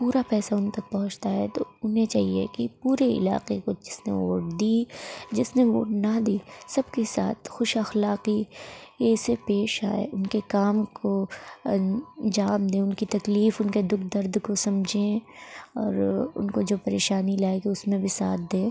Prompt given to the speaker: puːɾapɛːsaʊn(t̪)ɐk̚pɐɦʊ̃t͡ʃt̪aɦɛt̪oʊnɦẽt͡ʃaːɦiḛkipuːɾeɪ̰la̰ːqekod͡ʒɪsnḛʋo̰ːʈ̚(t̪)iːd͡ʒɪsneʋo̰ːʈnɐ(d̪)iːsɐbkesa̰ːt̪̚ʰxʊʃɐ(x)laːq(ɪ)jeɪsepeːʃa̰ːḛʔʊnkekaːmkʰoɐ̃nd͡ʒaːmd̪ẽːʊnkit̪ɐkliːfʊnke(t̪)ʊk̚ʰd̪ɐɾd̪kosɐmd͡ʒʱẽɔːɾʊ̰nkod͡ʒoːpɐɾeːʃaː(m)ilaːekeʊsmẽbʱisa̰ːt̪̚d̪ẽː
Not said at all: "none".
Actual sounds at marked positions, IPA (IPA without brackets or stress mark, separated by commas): t̪, d̪, d̪, x, i, d̪, n